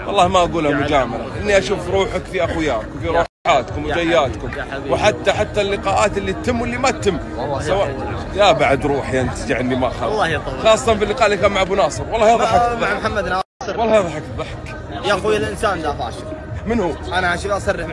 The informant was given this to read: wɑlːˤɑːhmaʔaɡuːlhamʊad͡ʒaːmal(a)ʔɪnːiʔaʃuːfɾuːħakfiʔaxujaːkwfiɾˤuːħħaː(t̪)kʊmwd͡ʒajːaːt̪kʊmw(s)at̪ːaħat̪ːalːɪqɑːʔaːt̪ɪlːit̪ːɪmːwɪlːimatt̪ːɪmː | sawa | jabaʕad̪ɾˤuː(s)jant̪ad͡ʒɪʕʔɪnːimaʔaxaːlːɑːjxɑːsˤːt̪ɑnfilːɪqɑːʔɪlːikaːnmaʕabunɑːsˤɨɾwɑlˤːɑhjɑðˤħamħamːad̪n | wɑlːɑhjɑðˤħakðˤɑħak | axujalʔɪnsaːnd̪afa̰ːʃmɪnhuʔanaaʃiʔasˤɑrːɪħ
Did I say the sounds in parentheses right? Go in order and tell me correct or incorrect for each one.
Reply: correct, correct, incorrect, incorrect

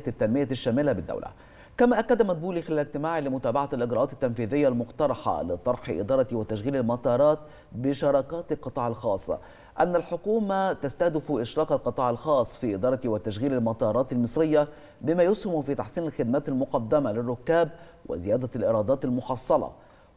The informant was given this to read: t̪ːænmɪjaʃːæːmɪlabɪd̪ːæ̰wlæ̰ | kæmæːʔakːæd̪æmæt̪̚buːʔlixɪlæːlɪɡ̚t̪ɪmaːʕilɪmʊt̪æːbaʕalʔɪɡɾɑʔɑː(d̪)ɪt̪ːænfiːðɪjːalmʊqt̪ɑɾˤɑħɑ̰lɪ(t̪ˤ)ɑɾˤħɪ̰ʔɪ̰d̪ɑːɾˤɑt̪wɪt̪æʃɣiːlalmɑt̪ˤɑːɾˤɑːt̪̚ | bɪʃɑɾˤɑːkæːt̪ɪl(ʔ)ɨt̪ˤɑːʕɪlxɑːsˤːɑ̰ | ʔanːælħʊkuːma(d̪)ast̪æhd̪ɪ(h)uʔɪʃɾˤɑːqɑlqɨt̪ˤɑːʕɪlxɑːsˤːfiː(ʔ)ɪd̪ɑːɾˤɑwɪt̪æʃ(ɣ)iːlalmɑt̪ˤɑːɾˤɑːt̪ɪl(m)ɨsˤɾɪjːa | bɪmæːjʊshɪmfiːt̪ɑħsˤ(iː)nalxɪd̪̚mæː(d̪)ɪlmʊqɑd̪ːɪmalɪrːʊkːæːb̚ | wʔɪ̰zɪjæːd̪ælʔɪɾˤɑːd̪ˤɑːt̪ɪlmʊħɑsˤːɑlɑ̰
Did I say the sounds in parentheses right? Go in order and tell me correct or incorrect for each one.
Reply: incorrect, correct, incorrect, incorrect, incorrect, correct, correct, correct, correct, incorrect

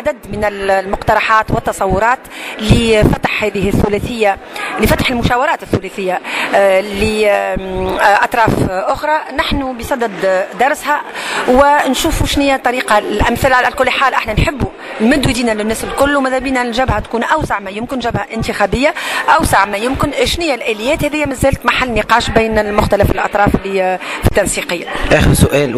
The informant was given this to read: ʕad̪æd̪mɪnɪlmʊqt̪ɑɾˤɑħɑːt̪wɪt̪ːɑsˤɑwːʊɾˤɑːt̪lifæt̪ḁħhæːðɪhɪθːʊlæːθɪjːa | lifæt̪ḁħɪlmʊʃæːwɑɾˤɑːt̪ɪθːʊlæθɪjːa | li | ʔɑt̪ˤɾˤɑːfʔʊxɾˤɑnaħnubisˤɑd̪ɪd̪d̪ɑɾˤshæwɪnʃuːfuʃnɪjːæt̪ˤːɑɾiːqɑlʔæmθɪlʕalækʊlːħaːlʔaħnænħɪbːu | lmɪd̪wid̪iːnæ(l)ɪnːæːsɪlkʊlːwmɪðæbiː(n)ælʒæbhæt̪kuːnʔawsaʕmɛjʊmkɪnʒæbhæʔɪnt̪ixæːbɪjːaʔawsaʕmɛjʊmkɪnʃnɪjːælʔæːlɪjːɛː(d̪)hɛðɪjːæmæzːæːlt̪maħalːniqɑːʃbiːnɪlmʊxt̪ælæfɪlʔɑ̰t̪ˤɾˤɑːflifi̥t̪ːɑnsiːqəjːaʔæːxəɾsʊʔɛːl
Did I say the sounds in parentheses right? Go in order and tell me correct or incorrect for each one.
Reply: correct, correct, incorrect

